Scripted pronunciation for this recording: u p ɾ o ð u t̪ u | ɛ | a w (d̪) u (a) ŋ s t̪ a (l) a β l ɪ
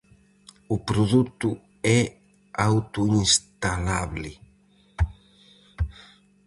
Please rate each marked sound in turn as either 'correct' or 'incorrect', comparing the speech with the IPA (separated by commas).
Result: incorrect, incorrect, correct